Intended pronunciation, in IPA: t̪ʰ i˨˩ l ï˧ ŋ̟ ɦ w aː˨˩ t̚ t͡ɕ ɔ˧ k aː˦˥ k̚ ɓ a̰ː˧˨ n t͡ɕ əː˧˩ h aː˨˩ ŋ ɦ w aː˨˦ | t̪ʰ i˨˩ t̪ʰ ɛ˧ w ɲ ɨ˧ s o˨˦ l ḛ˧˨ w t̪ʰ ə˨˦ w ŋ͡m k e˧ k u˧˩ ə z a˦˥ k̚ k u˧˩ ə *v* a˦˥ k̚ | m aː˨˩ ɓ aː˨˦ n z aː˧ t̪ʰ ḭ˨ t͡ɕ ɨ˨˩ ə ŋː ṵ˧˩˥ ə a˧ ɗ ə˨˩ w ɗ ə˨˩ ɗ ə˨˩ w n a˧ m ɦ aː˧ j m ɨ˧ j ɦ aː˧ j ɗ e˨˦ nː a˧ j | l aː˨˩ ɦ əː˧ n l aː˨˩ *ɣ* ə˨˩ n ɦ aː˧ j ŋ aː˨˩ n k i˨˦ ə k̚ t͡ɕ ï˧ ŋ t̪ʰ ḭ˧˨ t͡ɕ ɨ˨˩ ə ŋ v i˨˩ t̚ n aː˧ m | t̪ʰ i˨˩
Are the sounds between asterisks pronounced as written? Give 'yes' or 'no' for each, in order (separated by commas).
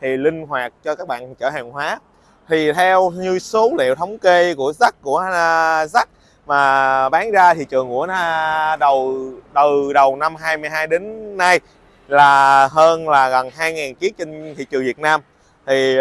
no, yes